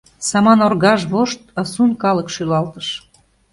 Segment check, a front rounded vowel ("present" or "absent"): present